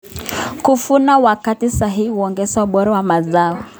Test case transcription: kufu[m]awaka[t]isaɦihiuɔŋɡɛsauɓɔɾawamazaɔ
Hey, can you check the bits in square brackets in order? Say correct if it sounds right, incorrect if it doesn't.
incorrect: n, correct

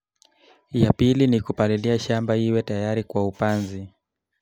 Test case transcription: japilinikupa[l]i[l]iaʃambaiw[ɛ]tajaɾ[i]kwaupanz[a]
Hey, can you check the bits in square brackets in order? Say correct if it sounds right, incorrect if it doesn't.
correct, correct, correct, correct, incorrect: i

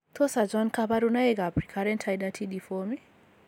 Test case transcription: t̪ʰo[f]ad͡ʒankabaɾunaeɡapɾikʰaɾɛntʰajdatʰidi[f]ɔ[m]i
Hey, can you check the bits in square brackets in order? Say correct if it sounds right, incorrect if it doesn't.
incorrect: s, correct, correct

